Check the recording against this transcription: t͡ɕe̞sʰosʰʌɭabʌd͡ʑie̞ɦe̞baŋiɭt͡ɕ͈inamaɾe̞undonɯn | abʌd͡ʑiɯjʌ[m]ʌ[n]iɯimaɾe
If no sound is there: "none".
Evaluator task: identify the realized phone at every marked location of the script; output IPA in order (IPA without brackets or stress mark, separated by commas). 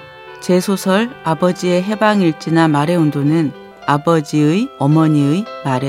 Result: m, ɲ